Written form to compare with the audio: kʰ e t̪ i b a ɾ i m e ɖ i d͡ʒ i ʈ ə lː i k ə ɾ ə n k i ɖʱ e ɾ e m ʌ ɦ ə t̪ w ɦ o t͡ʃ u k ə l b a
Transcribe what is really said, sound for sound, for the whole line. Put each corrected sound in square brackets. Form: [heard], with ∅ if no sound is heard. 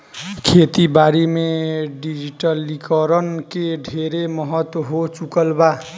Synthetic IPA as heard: kʰ e t̪ i b a ɾ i m e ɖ i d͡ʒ i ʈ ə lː i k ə ɾ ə n k [e] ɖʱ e ɾ e m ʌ ɦ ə t̪ w ɦ o t͡ʃ u k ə l b a